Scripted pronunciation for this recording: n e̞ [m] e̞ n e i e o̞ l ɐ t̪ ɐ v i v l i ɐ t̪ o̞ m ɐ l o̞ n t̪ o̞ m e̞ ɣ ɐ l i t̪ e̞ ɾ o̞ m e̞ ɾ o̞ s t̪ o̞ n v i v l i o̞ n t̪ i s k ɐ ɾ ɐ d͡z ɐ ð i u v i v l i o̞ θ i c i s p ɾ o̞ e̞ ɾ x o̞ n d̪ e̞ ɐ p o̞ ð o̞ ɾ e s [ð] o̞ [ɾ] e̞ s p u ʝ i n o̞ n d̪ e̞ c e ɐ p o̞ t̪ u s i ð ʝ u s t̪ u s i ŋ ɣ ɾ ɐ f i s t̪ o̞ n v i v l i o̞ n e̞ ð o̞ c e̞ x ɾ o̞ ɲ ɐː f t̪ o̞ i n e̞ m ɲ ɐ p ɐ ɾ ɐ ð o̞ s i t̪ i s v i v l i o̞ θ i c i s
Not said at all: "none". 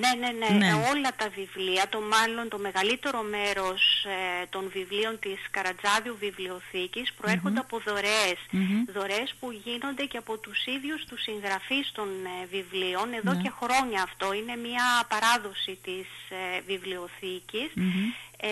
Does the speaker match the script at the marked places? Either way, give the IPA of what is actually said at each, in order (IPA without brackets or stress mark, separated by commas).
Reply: n, ð, ɾ